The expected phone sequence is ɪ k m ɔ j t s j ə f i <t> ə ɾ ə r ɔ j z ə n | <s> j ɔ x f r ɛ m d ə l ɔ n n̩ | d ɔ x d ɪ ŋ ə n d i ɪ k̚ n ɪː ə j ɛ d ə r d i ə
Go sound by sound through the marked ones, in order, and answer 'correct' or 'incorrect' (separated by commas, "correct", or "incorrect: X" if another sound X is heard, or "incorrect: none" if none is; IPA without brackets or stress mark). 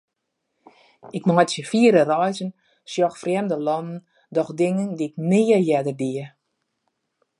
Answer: incorrect: none, correct